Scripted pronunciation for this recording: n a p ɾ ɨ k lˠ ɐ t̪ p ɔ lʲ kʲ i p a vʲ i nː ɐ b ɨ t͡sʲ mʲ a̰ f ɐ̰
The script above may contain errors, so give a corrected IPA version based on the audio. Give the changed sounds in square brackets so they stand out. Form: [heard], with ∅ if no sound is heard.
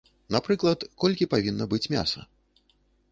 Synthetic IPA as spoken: n a p ɾ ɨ k lˠ ɐ t̪ [k] ɔ lʲ kʲ i p a vʲ i nː ɐ b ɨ t͡sʲ mʲ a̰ [s] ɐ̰

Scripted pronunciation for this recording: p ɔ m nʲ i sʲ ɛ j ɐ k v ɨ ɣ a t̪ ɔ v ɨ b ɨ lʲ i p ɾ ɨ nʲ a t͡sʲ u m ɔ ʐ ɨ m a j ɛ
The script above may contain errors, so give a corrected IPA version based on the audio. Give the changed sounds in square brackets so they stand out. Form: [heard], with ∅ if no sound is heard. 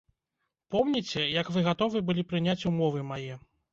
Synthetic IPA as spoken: p ɔ m nʲ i [t͡sʲ] ɛ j ɐ k v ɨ ɣ a t̪ ɔ v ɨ b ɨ lʲ i p ɾ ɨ nʲ a t͡sʲ u m ɔ [v] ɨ m a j ɛ

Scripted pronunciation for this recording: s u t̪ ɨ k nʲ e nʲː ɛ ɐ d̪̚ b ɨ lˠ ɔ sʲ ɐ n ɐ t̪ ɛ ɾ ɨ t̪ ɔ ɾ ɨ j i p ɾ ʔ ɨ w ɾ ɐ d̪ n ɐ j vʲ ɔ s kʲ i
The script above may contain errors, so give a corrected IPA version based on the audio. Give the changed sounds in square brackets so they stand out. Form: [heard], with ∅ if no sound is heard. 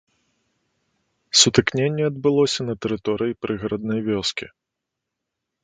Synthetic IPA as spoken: s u t̪ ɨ k nʲ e nʲː ɛ ɐ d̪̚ b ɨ lˠ ɔ sʲ ɐ n ɐ t̪ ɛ ɾ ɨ t̪ ɔ ɾ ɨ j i p ɾ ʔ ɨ [ɣ] ɾ ɐ d̪ n ɐ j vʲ ɔ s kʲ i

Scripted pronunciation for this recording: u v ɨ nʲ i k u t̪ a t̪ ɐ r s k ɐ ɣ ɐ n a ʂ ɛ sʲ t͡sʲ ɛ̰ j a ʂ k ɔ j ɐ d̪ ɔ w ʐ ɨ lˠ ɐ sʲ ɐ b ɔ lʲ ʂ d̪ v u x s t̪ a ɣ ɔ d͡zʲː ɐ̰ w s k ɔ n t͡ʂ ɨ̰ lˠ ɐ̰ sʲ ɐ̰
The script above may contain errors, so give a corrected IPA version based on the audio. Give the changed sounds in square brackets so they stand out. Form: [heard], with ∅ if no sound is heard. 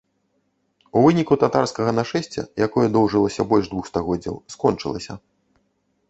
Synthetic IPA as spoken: u v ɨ nʲ i k u t̪ a t̪ [a] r s k ɐ ɣ ɐ n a ʂ ɛ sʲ t͡sʲ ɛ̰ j a [∅] k ɔ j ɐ d̪ ɔ w ʐ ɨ lˠ ɐ sʲ ɐ b ɔ lʲ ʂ d̪ v u x s t̪ a ɣ ɔ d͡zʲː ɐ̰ w s k ɔ n t͡ʂ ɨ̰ lˠ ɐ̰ sʲ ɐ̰

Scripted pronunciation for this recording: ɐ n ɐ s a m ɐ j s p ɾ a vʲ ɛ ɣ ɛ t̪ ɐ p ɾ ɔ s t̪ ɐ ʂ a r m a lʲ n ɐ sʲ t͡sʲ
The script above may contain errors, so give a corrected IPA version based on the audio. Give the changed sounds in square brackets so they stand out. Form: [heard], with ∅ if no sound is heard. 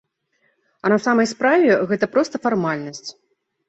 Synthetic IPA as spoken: ɐ n ɐ s a m ɐ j s p ɾ a vʲ ɛ ɣ ɛ t̪ ɐ p ɾ ɔ s t̪ ɐ [f] a r m a lʲ n ɐ sʲ t͡sʲ

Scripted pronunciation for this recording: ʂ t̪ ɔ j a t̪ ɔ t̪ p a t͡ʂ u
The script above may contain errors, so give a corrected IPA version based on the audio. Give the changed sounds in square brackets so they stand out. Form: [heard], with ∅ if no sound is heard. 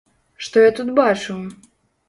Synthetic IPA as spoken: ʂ t̪ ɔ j a t̪ [u] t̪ [b] a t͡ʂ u

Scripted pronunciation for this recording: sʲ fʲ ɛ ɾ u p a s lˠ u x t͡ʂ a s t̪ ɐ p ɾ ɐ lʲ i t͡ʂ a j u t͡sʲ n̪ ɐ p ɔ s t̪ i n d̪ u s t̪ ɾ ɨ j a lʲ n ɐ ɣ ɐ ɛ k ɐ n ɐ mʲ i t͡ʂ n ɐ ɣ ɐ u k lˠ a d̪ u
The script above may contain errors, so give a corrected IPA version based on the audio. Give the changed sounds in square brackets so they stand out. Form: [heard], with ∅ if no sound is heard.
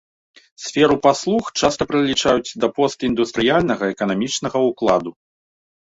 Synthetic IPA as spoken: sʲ fʲ ɛ ɾ u p a s lˠ u x t͡ʂ a s t̪ ɐ p ɾ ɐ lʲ i t͡ʂ a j u t͡sʲ [d̪] ɐ p ɔ s t̪ i n d̪ u s t̪ ɾ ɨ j a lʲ n ɐ ɣ ɐ ɛ k ɐ n [a] mʲ i t͡ʂ n ɐ ɣ ɐ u k lˠ a d̪ u

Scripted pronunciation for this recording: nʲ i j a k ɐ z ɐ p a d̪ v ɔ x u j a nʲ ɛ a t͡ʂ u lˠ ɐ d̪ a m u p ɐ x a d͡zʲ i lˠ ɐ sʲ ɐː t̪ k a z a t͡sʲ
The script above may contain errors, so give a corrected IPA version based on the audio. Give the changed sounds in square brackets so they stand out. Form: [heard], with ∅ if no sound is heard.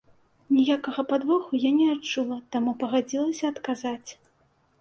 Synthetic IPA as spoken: nʲ i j a k ɐ [ɣ] ɐ p a d̪ v ɔ x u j a nʲ ɛ a t͡ʂ u lˠ ɐ [t̪] a m u p ɐ [ɣ] a d͡zʲ i lˠ ɐ sʲ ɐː t̪ k a z a t͡sʲ

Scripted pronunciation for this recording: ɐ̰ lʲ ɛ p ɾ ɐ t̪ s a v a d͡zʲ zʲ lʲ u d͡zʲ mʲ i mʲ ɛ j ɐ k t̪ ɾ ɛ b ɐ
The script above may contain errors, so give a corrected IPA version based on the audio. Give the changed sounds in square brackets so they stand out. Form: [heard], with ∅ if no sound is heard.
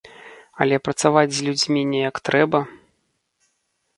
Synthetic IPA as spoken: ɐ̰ lʲ ɛ p ɾ ɐ t̪ s a v a d͡zʲ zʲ lʲ u d͡zʲ mʲ i [nʲ] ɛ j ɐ k t̪ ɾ ɛ b ɐ

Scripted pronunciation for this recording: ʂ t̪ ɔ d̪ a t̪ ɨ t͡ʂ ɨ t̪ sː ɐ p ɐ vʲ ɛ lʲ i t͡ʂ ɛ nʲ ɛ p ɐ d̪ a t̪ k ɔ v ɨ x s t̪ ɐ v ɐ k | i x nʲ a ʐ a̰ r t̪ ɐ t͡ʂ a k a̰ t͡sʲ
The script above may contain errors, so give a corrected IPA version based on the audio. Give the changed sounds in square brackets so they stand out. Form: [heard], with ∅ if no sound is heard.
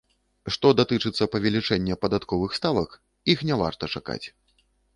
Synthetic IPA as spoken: ʂ t̪ ɔ d̪ a t̪ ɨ t͡ʂ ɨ t̪ sː ɐ p ɐ vʲ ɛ lʲ i t͡ʂ ɛ [nʲː] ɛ p ɐ d̪ a t̪ k ɔ v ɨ x s t̪ [a] v ɐ k | i x nʲ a [v] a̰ r t̪ ɐ t͡ʂ a k a̰ t͡sʲ

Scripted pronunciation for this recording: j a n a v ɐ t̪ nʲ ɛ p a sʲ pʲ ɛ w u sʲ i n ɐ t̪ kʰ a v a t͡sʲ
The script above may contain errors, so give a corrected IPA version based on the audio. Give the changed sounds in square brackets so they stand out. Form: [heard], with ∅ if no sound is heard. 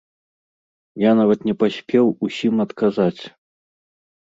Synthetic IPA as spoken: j a n a v ɐ t̪ nʲ ɛ p a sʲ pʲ ɛ w u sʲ i [m] ɐ t̪ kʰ a [z] a t͡sʲ

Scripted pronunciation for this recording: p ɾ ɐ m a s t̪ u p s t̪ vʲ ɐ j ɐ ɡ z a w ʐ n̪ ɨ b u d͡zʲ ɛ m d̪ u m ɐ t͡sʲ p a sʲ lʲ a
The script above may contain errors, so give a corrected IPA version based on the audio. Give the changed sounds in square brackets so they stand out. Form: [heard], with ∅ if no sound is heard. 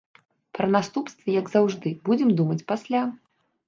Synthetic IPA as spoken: p ɾ ɐ [n] a s t̪ u p s t̪ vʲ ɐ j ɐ ɡ z a w ʐ [d̪] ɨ b u d͡zʲ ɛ m d̪ u m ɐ t͡sʲ p a sʲ lʲ a

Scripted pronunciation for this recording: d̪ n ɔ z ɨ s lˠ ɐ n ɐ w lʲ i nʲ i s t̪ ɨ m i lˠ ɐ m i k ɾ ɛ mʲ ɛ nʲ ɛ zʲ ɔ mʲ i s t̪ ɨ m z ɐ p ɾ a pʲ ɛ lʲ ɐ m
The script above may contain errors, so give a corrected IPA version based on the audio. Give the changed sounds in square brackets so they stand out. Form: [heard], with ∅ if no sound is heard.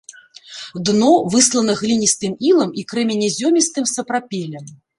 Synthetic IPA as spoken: d̪ n ɔ [v] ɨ s lˠ ɐ n ɐ [ɣ] lʲ i nʲ i s t̪ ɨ m i lˠ ɐ m i k ɾ ɛ mʲ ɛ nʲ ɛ zʲ ɔ mʲ i s t̪ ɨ m [s] ɐ p ɾ a pʲ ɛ lʲ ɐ m

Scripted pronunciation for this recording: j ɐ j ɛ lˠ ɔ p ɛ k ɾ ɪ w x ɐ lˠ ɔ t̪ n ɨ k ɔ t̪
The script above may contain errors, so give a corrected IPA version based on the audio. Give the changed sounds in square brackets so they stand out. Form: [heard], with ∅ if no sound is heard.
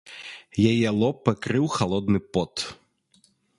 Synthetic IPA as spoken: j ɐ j ɛ lˠ ɔ p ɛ k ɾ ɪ w x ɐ lˠ ɔ [d̪] n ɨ [p] ɔ t̪

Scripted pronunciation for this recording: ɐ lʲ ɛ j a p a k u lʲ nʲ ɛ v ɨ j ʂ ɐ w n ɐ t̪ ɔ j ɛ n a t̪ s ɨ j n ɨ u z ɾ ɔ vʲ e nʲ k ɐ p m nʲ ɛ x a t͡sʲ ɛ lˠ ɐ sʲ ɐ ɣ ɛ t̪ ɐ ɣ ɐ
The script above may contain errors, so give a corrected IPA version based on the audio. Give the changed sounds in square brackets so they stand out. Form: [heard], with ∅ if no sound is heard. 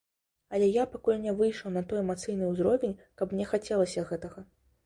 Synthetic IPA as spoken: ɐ lʲ ɛ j a p a k u lʲ nʲ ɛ v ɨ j ʂ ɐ w n ɐ t̪ ɔ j ɛ [m] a t̪ s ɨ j n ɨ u z ɾ ɔ vʲ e nʲ k ɐ p m nʲ ɛ x a t͡sʲ ɛ lˠ ɐ sʲ ɐ ɣ ɛ t̪ ɐ ɣ ɐ

